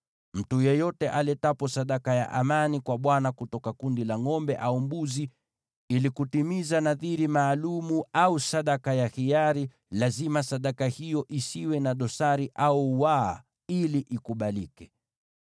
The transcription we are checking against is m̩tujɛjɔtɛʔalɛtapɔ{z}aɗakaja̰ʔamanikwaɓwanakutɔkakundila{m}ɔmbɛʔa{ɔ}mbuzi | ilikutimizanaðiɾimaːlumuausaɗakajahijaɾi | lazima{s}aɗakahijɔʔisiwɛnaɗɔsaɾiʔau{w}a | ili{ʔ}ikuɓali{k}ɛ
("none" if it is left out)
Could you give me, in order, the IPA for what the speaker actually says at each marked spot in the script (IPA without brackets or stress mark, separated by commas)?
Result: s, ŋ, u, s, w, ʔ, k